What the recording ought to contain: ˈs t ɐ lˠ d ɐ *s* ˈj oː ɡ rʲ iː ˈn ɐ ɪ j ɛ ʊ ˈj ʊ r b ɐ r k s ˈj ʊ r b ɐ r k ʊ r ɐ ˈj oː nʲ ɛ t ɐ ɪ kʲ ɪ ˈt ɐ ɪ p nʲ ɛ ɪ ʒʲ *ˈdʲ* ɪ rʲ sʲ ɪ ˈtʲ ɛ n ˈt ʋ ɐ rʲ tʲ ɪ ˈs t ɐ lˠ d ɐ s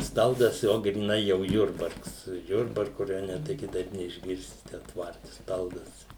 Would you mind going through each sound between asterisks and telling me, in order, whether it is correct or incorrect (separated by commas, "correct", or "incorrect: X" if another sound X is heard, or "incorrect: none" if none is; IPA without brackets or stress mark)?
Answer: correct, incorrect: ɡʲ